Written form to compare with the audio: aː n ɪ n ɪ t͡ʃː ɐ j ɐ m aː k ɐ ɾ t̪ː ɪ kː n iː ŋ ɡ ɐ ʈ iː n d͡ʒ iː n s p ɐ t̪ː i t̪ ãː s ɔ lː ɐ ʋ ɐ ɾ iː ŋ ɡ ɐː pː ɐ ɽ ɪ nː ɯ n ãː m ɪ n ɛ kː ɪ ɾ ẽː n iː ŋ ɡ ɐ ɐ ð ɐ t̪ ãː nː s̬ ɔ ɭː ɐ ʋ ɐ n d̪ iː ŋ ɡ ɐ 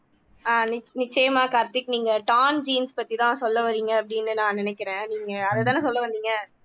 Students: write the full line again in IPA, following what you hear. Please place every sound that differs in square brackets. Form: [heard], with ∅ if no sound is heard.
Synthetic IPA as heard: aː n ɪ n ɪ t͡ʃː ɐ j ɐ m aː k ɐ ɾ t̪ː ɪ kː n iː ŋ ɡ ɐ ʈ [aː] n d͡ʒ iː n s p ɐ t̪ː i t̪ ãː s ɔ lː ɐ ʋ ɐ ɾ iː ŋ ɡ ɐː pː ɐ ɽ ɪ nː ɯ n ãː [n] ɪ n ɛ kː ɪ ɾ ẽː n iː ŋ ɡ ɐ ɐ ð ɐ t̪ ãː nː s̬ ɔ [lː] ɐ ʋ ɐ n d̪ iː ŋ ɡ ɐ